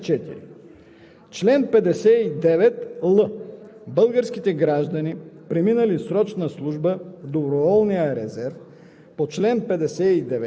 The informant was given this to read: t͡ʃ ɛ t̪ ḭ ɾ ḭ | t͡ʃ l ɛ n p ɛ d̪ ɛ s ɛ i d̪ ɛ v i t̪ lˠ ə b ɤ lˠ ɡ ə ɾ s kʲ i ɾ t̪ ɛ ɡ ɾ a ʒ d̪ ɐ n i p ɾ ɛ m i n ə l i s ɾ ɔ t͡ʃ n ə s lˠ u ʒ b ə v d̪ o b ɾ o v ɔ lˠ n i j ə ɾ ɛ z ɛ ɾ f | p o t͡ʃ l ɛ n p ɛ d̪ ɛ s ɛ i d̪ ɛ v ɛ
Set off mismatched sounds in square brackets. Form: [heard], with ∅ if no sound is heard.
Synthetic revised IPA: t͡ʃ ɛ t̪ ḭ ɾ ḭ | t͡ʃ l ɛ n p ɛ d̪ ɛ s ɛ i d̪ ɛ v [ɛ] t̪ lˠ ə b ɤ lˠ ɡ ə ɾ s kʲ i [∅] t̪ ɛ ɡ ɾ a ʒ d̪ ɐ n i p ɾ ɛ m i n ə l i s ɾ ɔ t͡ʃ n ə s lˠ u ʒ b ə v d̪ o b ɾ o v ɔ lˠ n i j ə ɾ ɛ z ɛ ɾ f | p o t͡ʃ l ɛ n p ɛ d̪ ɛ s ɛ i d̪ ɛ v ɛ